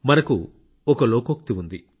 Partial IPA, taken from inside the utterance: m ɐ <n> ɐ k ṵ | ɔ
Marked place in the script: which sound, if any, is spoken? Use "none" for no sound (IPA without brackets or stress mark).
n